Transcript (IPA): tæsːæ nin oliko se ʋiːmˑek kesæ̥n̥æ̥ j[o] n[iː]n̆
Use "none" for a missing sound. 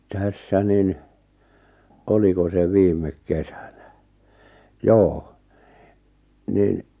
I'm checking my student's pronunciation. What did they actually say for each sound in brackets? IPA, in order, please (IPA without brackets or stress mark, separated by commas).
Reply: oː, i